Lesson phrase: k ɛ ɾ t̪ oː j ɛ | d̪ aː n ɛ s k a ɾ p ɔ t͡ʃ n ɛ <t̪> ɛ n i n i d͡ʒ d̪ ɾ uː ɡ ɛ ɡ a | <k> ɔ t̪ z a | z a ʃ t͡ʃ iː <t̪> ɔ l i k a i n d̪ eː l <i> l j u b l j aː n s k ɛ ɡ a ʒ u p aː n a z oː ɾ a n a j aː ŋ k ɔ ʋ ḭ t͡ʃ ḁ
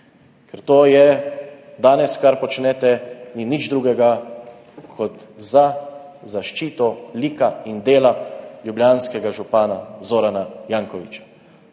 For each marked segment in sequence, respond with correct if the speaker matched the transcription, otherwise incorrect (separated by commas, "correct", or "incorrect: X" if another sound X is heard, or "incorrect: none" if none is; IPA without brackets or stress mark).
correct, incorrect: kʰ, correct, incorrect: a